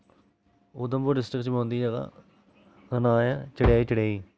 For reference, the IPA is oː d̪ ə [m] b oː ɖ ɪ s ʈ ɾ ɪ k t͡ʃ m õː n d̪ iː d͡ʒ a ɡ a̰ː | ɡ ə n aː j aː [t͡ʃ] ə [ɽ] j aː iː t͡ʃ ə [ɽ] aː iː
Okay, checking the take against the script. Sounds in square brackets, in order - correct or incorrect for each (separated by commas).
correct, correct, correct, correct